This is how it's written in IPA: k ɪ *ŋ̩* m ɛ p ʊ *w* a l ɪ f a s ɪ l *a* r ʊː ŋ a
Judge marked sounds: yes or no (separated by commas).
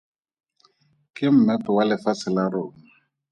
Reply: no, yes, yes